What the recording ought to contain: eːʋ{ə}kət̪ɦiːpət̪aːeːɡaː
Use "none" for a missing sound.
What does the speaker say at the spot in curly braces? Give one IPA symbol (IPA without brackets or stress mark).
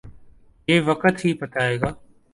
ə